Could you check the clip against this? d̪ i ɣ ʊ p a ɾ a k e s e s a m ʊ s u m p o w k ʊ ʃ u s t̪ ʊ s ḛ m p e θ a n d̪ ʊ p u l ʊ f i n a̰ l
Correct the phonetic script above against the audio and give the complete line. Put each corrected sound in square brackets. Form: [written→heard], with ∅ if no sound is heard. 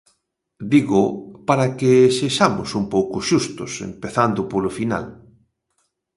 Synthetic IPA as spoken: d̪ i ɣ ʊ p a ɾ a k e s e [s→ʃ] a m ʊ s u m p o w k ʊ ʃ u s t̪ ʊ s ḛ m p e θ a n d̪ ʊ p [u→o] l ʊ f i n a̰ l